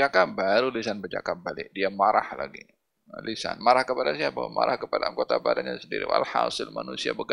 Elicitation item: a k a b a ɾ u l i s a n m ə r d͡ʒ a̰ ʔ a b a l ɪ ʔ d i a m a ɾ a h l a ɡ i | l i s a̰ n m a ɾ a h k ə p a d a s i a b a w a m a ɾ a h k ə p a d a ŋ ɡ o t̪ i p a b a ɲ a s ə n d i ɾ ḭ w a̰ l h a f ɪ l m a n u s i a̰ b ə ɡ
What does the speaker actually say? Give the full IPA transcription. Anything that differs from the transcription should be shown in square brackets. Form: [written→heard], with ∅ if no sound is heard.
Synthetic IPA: a k a b a ɾ u l i s a n [m→b] ə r d͡ʒ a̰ [ʔ→k] a b a l ɪ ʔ d i a m a ɾ a h l a ɡ i | l i s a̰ n m a ɾ a h k ə p a d a s i a b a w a m a ɾ a h k ə p a d a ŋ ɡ o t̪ [i→a] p a [b→d] a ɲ a s ə n d i ɾ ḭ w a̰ l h a [f→s] ɪ l m a n u s i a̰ b ə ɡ